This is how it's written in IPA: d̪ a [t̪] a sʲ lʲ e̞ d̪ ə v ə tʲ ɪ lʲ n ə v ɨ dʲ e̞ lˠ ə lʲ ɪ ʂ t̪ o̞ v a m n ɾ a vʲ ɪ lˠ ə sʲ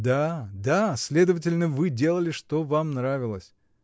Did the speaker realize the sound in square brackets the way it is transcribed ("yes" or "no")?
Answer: no